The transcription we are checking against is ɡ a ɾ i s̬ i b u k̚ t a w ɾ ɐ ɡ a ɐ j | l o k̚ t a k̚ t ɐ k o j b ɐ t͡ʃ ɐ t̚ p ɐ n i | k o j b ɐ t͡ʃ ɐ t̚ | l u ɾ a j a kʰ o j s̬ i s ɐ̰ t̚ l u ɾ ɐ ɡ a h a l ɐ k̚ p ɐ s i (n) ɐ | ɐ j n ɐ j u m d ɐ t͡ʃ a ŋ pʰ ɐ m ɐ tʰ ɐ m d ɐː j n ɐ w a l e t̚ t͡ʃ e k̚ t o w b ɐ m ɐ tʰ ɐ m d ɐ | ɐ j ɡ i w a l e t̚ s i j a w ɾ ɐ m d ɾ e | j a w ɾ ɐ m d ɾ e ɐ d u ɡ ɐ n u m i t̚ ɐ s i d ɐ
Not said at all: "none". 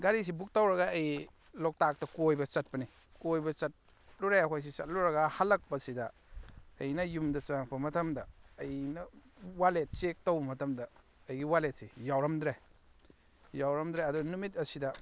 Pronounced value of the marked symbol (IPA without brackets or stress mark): d